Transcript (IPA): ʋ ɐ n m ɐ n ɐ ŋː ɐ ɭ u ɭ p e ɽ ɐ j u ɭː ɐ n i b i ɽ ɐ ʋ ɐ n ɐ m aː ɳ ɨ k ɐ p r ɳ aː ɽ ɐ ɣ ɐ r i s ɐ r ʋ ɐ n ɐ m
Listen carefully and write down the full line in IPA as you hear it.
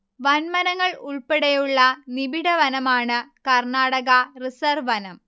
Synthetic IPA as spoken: ʋ ɐ n m ɐ n ɐ ŋː ɐ ɭ u ɭ p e ɽ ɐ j u ɭː ɐ n i b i ɽ ɐ ʋ ɐ n ɐ m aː ɳ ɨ k ɐ r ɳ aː ɽ ɐ ɣ ɐ r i s ɐ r ʋ ɐ n ɐ m